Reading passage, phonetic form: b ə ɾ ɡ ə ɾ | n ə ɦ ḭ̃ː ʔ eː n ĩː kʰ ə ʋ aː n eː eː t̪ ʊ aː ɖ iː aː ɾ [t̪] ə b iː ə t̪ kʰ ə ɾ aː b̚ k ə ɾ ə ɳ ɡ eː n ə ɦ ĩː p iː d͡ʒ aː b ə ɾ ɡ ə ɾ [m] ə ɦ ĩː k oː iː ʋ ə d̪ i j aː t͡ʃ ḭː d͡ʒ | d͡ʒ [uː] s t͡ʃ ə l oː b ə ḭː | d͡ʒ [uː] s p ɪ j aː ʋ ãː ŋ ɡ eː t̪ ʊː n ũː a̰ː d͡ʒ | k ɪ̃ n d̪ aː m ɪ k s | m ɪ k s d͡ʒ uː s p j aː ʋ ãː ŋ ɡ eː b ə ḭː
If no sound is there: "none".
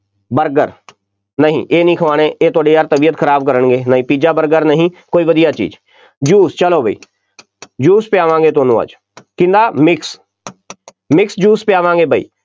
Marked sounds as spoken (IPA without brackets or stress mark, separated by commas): t̪, n, uː, uː